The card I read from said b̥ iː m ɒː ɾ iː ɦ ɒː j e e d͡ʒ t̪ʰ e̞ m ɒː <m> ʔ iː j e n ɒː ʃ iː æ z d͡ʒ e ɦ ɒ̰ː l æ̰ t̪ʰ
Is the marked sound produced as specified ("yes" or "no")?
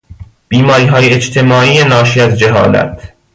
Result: no